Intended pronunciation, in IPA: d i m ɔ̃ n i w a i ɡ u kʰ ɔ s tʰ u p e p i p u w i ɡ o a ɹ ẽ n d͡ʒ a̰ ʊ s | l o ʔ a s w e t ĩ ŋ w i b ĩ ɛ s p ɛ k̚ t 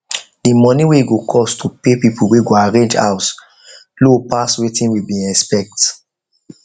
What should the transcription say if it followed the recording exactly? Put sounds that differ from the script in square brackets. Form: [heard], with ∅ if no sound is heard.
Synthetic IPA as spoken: d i m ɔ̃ n i w [e] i ɡ [o] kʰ ɔ s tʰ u p e p i p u w [e] ɡ o a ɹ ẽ n d͡ʒ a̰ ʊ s | l o [p] a s w e t ĩ [n] w i b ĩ ɛ s p ɛ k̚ t